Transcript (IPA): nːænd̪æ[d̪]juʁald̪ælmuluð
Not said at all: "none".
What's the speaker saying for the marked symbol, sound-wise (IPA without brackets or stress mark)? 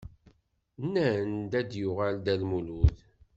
d̪